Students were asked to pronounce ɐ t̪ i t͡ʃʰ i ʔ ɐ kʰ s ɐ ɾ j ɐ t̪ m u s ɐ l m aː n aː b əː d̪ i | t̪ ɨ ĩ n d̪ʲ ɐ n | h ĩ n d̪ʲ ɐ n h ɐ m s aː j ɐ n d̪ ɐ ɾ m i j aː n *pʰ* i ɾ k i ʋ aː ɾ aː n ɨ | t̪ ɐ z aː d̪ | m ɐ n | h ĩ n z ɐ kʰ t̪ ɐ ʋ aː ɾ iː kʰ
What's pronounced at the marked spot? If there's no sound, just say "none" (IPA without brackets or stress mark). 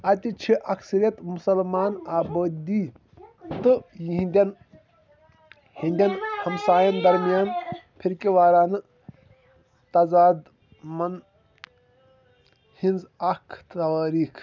pʰ